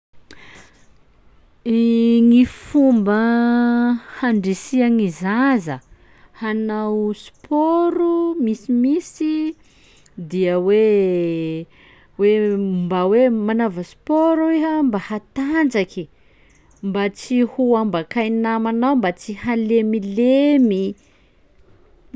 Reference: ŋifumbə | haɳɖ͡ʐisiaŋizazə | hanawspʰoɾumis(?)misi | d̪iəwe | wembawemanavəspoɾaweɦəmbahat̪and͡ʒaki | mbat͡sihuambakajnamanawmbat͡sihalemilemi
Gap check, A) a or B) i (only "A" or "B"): B